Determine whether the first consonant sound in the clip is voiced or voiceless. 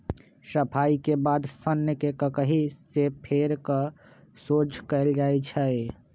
voiceless